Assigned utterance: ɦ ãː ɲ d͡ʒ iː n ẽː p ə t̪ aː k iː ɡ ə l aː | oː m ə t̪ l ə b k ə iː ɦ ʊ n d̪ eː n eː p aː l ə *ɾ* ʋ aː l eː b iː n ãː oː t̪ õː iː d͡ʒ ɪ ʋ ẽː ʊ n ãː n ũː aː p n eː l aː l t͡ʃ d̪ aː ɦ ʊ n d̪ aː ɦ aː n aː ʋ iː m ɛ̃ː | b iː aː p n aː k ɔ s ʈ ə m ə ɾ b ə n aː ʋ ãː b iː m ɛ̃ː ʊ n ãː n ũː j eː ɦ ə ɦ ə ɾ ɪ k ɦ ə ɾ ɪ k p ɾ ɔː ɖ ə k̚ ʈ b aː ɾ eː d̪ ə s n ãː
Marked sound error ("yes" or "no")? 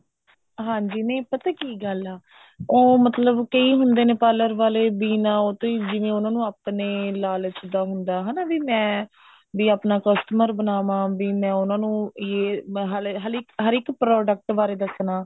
no